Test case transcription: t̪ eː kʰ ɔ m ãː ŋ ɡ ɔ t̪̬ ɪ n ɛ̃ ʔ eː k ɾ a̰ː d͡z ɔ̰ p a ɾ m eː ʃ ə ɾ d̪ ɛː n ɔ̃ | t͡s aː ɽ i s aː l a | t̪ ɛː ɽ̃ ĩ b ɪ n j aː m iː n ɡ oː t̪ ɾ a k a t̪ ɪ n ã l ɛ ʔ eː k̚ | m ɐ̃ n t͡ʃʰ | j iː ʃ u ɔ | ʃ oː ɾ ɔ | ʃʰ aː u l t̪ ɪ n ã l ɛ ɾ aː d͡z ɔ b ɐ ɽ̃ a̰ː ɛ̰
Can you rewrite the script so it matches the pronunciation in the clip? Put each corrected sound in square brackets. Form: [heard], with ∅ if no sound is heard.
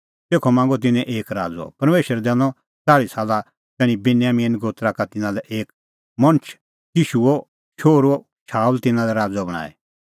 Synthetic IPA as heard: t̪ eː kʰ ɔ m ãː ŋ ɡ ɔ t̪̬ ɪ n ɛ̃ ʔ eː k ɾ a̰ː d͡z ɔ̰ p [ɐ] ɾ m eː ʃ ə ɾ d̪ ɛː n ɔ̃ | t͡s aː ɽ i s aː l a | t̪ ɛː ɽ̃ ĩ b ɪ n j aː m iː n ɡ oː t̪ ɾ a k a t̪ ɪ n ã l ɛ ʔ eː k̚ | m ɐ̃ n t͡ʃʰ | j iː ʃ u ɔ | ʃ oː ɾ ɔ | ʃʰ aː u l t̪ ɪ n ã l ɛ ɾ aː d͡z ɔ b ɐ ɽ̃ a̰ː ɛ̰